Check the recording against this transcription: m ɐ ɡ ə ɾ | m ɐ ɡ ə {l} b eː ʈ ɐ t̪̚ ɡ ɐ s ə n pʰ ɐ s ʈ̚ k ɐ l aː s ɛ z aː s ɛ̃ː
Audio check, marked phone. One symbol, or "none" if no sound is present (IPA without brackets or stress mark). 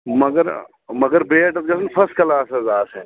ɾ